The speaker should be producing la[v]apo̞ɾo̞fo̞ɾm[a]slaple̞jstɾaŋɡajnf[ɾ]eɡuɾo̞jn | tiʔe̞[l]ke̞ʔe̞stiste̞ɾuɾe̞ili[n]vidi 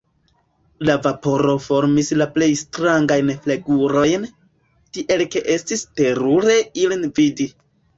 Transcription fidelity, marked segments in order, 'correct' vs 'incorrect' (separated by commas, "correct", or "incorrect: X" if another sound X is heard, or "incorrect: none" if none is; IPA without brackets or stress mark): correct, incorrect: i, incorrect: l, correct, correct